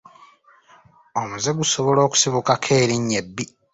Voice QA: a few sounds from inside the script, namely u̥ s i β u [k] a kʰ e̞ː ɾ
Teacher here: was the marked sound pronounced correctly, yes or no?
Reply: yes